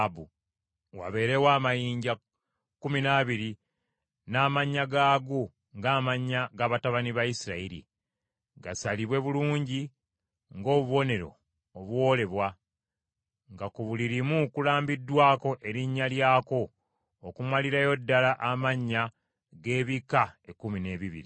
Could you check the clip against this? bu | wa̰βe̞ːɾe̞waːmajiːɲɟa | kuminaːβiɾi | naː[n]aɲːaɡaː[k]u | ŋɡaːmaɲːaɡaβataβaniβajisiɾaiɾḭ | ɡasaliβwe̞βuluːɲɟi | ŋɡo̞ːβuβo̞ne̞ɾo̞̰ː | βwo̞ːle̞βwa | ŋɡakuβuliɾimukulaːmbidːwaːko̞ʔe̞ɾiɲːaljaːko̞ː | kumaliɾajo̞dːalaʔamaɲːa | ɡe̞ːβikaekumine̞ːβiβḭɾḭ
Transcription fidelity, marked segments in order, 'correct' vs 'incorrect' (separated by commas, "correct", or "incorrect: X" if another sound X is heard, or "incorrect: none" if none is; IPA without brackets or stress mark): incorrect: m, incorrect: ɡ